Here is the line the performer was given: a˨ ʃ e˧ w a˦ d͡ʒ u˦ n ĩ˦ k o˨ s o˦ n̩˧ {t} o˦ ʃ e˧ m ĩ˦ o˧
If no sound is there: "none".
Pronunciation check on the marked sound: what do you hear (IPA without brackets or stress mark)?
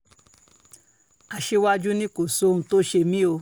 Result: t